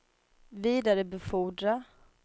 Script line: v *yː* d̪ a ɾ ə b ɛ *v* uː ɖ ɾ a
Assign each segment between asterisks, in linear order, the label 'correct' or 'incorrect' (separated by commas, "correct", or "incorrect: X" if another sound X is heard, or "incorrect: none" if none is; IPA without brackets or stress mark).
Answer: incorrect: iː, incorrect: f